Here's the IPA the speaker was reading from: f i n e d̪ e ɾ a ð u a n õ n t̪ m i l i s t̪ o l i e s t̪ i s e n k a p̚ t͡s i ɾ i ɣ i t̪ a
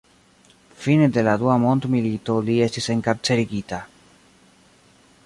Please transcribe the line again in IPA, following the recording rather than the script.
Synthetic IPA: f i n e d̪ e l a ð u a m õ n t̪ m i l i t̪ o l i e s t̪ i s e ŋ k a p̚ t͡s e ɾ i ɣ i t̪ a